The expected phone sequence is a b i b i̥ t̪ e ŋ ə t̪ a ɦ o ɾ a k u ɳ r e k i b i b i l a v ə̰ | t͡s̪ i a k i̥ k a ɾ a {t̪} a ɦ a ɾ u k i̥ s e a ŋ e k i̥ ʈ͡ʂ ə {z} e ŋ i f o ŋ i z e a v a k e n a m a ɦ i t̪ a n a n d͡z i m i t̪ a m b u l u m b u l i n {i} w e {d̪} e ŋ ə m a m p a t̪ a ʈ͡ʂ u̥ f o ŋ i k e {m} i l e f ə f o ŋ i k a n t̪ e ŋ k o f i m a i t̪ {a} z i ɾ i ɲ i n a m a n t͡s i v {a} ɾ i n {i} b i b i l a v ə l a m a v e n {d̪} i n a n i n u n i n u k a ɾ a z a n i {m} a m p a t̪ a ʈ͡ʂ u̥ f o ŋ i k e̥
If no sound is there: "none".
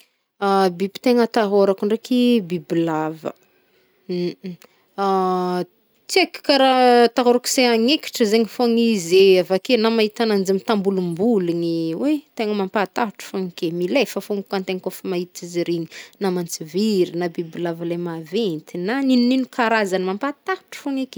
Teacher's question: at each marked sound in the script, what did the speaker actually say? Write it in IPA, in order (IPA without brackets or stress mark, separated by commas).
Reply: t̪, z, i, t̪, m, i, i, a, t̪, m